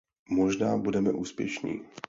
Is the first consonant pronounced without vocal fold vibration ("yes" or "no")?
no